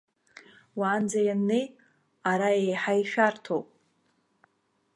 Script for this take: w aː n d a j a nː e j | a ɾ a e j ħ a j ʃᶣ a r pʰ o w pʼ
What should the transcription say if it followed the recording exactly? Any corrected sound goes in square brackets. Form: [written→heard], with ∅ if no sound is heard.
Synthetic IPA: w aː n [d→d͡z] a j a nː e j | a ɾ a e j ħ a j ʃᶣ a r [pʰ→tʰ] o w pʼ